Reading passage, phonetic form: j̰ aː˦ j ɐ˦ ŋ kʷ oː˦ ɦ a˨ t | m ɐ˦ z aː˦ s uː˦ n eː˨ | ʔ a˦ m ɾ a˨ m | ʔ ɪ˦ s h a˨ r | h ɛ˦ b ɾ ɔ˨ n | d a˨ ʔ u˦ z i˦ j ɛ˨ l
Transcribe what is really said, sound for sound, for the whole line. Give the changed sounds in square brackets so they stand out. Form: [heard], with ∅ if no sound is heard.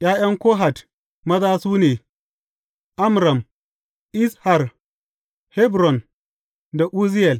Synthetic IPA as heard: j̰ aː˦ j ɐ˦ ŋ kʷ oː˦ ɦ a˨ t | m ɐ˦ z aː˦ s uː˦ n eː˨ | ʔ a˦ m ɾ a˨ m | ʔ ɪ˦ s h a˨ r | h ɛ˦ b ɾ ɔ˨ n | d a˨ ʔ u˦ z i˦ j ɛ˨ l